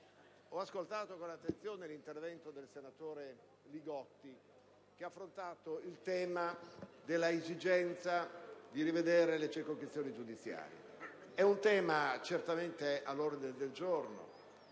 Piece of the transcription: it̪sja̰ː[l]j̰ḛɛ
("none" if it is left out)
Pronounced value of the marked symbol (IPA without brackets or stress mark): ɾ